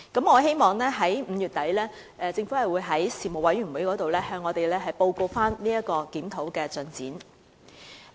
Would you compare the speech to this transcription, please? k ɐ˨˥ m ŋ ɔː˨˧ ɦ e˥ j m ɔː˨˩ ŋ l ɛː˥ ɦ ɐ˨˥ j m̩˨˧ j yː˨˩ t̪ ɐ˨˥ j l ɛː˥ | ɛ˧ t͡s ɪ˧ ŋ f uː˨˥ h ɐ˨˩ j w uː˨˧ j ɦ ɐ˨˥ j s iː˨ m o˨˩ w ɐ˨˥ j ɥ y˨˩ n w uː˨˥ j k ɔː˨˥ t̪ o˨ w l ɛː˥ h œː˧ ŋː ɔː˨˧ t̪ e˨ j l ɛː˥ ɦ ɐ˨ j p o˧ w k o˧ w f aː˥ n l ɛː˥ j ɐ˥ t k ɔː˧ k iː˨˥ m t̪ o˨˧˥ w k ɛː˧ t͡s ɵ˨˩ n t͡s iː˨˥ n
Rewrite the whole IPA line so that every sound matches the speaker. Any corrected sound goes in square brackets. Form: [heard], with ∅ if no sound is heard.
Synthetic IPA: k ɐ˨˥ m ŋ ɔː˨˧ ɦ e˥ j m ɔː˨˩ ŋ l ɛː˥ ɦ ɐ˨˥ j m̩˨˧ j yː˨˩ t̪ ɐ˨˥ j l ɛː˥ | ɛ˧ t͡s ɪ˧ ŋ f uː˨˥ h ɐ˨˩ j w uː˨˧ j ɦ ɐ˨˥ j s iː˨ m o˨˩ w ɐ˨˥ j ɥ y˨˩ n w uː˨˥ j k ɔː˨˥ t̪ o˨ w l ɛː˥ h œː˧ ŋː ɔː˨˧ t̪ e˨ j l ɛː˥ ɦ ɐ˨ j p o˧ w k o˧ w f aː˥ n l [iː˥] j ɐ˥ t k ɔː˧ k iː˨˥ m [t̪ʰ] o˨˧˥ w k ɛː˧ t͡s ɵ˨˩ n t͡s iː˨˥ n

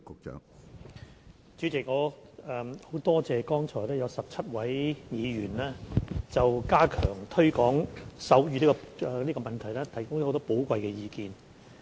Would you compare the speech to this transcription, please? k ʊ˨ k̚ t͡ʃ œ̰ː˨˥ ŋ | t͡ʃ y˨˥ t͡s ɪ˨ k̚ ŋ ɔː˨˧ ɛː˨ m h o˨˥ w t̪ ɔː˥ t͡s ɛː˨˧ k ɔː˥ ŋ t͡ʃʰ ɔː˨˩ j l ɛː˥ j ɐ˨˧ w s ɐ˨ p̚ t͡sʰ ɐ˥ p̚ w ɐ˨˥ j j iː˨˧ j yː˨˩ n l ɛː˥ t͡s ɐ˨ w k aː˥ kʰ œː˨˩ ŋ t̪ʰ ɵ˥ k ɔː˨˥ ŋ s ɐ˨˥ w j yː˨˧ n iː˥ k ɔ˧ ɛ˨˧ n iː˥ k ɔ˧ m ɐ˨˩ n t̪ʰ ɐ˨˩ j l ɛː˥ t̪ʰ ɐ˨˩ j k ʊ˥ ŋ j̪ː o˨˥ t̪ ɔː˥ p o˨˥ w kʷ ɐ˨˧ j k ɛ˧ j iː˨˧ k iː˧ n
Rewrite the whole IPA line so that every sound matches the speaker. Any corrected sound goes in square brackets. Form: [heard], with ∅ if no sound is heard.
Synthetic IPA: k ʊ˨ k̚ t͡ʃ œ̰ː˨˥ ŋ | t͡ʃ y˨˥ t͡s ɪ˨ k̚ ŋ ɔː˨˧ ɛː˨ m h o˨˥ w t̪ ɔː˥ t͡s ɛː˨˧ k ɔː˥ ŋ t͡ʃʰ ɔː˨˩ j l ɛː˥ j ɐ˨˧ w s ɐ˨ p̚ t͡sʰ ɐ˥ [t̚] w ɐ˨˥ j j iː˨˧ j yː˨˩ n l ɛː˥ t͡s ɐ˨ w k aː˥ kʰ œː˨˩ ŋ t̪ʰ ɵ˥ k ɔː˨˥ ŋ s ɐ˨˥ w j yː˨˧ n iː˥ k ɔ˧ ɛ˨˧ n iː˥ k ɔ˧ m ɐ˨˩ n t̪ʰ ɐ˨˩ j l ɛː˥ t̪ʰ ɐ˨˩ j k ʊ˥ ŋ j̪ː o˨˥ t̪ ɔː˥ p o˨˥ w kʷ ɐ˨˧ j k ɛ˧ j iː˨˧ k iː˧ n

